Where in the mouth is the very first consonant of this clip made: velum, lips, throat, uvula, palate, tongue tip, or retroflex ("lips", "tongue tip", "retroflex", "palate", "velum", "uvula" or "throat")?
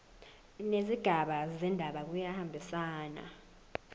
tongue tip